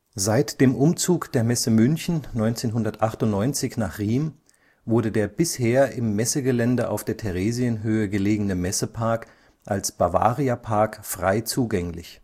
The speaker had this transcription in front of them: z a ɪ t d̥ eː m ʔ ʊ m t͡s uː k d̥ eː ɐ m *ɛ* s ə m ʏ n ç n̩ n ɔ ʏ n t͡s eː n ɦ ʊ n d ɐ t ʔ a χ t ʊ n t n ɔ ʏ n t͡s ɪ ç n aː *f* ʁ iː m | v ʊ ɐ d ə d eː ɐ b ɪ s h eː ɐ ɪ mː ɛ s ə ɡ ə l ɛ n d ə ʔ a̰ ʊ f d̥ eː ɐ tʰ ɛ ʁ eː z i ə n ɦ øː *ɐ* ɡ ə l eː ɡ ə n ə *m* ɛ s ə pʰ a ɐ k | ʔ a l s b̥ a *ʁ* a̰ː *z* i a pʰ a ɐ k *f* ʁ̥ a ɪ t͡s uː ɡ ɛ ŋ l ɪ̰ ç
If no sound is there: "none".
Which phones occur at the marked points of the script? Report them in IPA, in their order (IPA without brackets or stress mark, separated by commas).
ɛ, χ, ə, m, v, ʁ, f